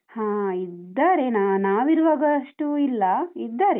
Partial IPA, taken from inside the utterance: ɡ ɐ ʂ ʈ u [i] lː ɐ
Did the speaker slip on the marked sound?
no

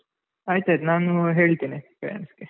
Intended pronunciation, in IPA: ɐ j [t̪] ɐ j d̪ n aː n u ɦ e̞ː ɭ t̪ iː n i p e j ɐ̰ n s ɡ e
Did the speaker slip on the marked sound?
no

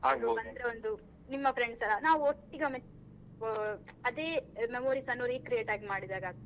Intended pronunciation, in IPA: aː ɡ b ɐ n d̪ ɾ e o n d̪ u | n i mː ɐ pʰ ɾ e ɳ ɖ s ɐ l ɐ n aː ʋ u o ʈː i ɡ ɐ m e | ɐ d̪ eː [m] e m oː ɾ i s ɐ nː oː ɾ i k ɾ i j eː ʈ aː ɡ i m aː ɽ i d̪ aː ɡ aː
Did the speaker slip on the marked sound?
no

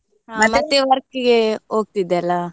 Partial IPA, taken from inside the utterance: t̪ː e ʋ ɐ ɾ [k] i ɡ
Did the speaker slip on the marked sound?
no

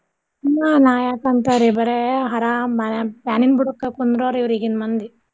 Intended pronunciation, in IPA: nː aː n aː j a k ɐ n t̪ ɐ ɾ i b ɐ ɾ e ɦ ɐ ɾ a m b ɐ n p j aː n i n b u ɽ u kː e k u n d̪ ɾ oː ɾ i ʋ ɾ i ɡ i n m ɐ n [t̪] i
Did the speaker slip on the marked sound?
yes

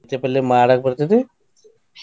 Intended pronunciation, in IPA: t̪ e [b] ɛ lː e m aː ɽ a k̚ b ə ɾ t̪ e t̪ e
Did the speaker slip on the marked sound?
yes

